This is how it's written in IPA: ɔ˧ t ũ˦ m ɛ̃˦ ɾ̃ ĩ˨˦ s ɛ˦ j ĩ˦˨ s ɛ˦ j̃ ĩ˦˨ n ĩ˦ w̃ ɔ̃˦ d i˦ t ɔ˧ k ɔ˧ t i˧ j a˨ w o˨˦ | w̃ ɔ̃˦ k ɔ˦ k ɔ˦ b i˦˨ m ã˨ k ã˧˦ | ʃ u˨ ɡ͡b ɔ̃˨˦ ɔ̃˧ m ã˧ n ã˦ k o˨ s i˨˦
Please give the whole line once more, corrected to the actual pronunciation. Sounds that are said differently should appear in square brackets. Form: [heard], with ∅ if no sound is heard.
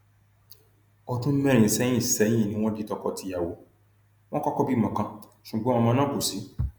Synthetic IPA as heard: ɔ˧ t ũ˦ m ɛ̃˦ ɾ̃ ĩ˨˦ s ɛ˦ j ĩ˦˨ s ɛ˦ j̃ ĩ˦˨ n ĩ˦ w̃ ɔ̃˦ d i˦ t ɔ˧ k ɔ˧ t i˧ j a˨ w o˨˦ | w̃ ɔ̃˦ k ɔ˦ k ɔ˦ b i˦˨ m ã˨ k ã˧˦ | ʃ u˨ ɡ͡b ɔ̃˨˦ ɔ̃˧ m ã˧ n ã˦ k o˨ s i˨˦